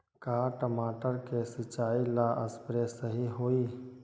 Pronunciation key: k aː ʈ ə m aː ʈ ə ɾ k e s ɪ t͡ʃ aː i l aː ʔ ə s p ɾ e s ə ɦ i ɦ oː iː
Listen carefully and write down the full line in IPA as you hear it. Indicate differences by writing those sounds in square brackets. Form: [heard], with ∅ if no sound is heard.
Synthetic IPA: k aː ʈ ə m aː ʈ ə ɾ k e s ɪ t͡ʃ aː i l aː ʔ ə s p ɾ e s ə ɦ i ɦ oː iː